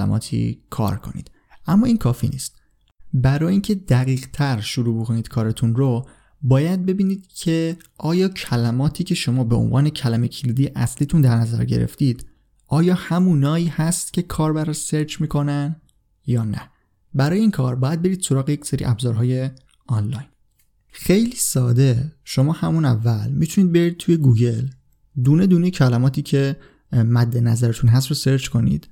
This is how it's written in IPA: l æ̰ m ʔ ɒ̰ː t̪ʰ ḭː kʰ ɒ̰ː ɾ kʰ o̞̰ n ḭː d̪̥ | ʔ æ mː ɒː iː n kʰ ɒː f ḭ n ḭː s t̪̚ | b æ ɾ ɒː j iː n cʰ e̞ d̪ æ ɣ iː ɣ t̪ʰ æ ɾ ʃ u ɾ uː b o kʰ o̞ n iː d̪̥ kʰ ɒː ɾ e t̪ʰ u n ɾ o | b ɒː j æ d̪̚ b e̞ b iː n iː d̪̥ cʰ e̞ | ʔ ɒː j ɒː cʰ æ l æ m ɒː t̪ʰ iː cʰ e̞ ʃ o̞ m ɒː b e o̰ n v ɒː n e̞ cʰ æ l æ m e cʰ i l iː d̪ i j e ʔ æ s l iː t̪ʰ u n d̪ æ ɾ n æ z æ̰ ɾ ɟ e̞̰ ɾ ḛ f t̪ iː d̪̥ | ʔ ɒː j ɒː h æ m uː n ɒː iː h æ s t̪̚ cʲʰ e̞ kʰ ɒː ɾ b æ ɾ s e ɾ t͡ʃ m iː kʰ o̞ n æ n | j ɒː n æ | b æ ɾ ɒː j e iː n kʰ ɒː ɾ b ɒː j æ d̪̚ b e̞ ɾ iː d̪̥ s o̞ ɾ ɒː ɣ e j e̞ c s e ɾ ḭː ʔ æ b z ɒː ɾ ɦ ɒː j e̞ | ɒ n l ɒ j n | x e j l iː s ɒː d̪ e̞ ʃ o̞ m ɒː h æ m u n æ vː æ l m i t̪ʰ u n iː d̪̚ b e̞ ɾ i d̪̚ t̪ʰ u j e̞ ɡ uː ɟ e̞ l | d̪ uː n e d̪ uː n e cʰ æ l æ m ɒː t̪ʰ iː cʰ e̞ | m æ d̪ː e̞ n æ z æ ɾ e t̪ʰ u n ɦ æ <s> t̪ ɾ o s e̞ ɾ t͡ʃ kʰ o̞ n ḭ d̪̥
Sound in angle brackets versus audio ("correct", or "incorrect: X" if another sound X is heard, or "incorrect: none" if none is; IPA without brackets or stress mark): correct